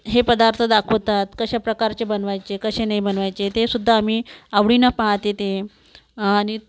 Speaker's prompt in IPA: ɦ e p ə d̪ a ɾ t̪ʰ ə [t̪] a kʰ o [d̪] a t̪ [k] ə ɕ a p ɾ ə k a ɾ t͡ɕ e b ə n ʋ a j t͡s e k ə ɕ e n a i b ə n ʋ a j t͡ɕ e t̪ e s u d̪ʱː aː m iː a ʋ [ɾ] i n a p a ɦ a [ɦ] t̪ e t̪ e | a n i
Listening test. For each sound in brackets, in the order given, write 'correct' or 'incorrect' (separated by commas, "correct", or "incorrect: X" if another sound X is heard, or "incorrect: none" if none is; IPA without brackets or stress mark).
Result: incorrect: d̪, incorrect: t̪, correct, incorrect: ɽ, incorrect: none